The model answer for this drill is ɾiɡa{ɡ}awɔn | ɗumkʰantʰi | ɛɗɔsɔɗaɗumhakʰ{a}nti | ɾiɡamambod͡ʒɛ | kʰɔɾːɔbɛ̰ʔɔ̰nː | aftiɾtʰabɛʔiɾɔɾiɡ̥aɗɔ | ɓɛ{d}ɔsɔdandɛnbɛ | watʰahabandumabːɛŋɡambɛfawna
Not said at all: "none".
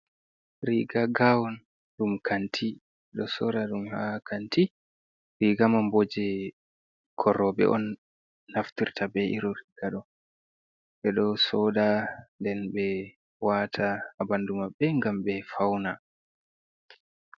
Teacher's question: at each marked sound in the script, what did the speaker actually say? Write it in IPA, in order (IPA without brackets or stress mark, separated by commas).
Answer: ɡ, a, ɗ